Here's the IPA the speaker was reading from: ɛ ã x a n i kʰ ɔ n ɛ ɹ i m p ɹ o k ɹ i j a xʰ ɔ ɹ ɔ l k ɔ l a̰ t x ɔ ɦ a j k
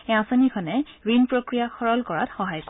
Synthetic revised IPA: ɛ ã s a n i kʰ ɔ n ɛ ɹ i n p ɹ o k ɹ i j a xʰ ɔ ɹ ɔ l k ɔ ɹ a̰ t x ɔ ɦ a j k